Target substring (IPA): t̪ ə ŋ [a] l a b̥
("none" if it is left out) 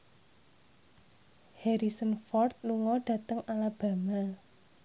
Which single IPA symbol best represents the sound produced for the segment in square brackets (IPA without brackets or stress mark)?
a